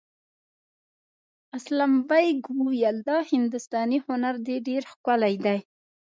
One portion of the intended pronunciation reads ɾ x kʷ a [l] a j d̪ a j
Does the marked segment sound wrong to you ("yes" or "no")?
no